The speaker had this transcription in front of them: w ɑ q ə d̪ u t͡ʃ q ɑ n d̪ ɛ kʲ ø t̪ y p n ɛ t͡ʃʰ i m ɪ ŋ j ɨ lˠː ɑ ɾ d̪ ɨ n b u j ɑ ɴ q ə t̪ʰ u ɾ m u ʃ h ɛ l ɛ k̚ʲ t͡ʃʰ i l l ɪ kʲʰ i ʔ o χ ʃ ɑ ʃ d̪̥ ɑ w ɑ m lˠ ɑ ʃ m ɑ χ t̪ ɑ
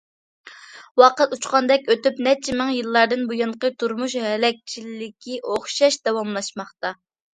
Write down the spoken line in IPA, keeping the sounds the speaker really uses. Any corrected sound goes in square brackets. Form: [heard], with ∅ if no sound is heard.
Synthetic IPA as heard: w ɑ q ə [t̪] u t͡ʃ q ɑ n d̪ ɛ kʲ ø t̪ y p n ɛ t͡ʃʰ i m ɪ ŋ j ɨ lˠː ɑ ɾ d̪ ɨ n b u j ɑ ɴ q ə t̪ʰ u ɾ m u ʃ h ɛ l ɛ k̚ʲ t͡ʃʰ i l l ɪ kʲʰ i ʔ o χ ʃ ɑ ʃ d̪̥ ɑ w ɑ m lˠ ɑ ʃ m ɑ χ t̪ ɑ